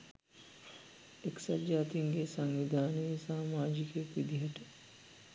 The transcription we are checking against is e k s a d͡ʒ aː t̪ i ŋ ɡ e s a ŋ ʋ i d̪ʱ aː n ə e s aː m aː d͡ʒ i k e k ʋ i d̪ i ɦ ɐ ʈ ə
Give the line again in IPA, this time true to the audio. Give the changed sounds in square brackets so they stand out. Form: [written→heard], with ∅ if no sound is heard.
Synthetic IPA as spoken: e k s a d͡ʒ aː t̪ i ŋ ɡ e s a ŋ ʋ i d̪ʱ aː n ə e s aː m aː d͡ʒ i k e k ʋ i d̪ i ɦ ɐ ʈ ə